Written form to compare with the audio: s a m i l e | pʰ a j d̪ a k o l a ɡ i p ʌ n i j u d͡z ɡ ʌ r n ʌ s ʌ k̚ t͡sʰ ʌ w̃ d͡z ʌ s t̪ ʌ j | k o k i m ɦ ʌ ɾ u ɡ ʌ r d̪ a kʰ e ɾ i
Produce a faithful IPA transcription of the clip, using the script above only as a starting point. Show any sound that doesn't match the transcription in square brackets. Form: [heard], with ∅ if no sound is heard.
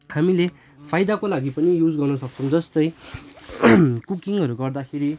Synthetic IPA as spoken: [h] a m i l e | pʰ a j d̪ a k o l a ɡ i p ʌ n i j u d͡z ɡ ʌ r n ʌ s ʌ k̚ t͡sʰ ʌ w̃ d͡z ʌ s t̪ ʌ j | k [u] k i [ŋ] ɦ ʌ ɾ u ɡ ʌ r d̪ a kʰ e ɾ i